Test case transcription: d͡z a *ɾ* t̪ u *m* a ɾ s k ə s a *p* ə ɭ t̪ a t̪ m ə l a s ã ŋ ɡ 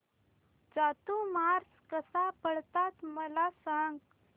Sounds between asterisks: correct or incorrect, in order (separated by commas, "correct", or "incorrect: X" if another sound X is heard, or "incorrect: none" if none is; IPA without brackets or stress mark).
incorrect: none, correct, correct